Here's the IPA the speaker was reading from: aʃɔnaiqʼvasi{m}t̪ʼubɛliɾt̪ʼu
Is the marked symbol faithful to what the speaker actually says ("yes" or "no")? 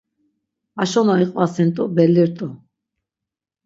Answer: no